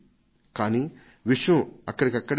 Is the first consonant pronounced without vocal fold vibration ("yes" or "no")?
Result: yes